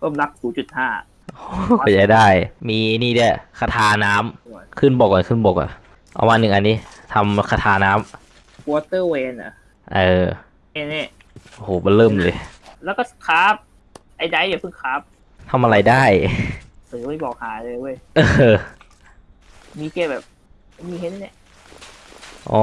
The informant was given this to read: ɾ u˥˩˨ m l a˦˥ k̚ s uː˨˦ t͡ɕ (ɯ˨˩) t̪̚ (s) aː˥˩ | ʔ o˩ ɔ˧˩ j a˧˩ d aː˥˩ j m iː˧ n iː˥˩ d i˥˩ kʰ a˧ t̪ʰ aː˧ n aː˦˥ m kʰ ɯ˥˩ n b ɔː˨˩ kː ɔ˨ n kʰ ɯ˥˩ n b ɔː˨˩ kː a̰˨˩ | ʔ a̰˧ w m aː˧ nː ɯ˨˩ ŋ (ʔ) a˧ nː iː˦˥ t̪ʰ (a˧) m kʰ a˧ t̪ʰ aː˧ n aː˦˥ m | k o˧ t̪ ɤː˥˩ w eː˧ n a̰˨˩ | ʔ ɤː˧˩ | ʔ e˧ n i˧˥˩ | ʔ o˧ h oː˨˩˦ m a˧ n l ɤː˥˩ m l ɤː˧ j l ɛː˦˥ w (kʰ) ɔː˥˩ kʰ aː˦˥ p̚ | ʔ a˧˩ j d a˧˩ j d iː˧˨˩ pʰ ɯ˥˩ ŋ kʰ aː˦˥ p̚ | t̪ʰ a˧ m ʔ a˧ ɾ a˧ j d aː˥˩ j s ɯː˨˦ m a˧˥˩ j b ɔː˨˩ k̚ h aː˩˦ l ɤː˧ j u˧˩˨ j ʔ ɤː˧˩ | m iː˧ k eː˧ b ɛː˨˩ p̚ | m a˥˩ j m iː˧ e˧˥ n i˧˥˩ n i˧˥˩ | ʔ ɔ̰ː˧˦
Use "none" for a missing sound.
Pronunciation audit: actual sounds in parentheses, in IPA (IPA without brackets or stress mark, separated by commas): u˨˩, h, ʔ, a˧, k